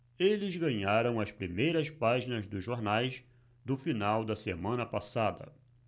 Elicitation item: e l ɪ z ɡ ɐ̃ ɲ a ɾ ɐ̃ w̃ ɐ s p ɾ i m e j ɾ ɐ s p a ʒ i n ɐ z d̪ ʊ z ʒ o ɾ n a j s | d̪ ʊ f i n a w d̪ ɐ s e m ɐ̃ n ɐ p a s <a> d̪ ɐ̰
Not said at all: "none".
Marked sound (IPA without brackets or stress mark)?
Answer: a